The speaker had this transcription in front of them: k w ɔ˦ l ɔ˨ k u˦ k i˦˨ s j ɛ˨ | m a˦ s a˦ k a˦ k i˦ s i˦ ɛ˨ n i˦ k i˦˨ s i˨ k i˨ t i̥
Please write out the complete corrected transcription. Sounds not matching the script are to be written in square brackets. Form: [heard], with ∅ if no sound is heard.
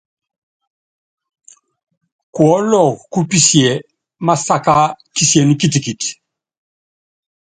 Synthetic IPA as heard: k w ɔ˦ l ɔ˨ k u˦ [p] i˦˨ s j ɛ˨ | m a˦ s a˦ k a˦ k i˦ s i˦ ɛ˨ n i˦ k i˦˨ [t] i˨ k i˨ t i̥